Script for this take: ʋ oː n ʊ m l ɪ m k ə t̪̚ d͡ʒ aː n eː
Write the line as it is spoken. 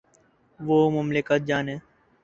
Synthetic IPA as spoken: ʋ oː m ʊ m l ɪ k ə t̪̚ d͡ʒ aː n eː